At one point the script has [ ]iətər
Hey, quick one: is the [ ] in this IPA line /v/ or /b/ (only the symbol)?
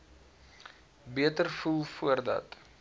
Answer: b